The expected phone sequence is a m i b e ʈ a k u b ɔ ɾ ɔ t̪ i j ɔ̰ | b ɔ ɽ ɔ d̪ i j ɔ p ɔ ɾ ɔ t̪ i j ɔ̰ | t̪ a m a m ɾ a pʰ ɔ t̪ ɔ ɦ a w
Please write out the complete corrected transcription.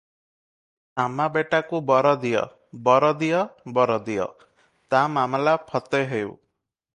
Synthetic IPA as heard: a m a b e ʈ a k u b ɔ ɾ ɔ d̪ i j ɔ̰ | b ɔ ɾ ɔ d̪ i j ɔ b ɔ ɾ ɔ d̪ i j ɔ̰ | t̪ a m a m l a pʰ ɔ t̪ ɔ ɦ e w